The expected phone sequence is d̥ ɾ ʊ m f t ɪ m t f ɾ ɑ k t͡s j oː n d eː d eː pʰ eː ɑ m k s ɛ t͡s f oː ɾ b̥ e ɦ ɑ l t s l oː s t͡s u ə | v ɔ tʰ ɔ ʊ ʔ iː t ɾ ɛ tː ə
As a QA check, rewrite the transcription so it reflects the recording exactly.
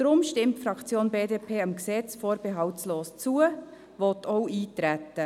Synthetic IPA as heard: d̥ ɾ ʊ m ʃ t ɪ m t f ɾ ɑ k t͡s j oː n b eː d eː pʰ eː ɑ m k s ɛ t͡s f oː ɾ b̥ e ɦ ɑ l t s l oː s t͡s u ə | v ɔ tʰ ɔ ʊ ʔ iː t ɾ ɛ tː ə